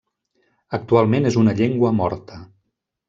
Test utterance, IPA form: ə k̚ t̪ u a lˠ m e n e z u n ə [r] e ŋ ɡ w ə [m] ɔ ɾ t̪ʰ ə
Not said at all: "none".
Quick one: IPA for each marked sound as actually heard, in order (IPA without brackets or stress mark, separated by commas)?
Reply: ʎ, m